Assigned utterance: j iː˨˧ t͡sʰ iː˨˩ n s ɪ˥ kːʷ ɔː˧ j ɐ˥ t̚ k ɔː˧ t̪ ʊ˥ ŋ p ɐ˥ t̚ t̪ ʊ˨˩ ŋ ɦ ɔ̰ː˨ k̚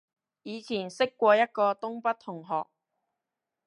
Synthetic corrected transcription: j iː˨˧ t͡sʰ iː˨˩ n s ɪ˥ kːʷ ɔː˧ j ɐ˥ t̚ k ɔː˧ t̪ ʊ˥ ŋ p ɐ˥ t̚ t̪ʰ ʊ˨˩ ŋ ɦ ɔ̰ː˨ k̚

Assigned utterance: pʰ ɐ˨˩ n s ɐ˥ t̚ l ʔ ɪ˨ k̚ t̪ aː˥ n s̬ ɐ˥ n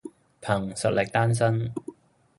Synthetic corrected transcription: pʰ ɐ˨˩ ŋ s ɐ˨ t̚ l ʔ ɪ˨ k̚ t̪ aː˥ n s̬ ɐ˥ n

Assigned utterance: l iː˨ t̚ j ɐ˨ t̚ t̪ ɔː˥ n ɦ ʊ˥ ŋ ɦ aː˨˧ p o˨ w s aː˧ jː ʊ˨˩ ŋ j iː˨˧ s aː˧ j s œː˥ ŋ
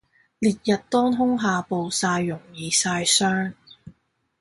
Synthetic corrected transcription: l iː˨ t̚ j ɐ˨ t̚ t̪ ɔː˥ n ɦ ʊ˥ ŋ ɦ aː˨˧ p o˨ w s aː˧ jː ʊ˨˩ ŋ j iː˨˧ s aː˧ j s œː˥ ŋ

